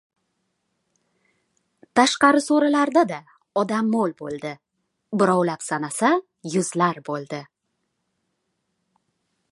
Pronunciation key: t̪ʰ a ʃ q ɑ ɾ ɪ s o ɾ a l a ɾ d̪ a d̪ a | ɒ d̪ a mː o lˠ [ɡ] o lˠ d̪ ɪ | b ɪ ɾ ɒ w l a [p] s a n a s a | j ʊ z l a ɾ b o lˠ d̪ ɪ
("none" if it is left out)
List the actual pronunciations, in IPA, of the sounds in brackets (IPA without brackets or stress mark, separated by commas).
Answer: b, p